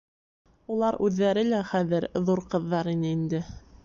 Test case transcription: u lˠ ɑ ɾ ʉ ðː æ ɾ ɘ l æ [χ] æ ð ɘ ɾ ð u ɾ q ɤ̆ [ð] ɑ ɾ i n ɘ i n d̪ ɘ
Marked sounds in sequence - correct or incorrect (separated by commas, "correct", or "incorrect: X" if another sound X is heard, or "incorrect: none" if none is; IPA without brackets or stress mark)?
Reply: correct, incorrect: ðː